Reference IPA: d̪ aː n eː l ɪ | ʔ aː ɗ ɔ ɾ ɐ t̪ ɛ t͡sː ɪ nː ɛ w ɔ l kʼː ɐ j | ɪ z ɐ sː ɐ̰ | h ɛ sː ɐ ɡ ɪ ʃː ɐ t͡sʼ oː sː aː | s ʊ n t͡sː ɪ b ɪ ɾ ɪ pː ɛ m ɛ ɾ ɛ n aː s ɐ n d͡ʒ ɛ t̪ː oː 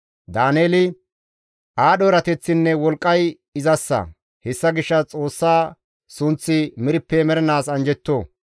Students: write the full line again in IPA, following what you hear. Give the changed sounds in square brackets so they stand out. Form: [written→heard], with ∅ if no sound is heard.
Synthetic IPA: d̪ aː n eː l ɪ | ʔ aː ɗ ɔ ɾ ɐ t̪ ɛ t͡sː ɪ nː ɛ w ɔ l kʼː ɐ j | ɪ z ɐ sː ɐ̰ | h ɛ sː ɐ ɡ ɪ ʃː ɐ t͡sʼ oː sː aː | s ʊ n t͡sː ɪ [b→m] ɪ ɾ ɪ pː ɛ m ɛ ɾ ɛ n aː s ɐ n d͡ʒ ɛ t̪ː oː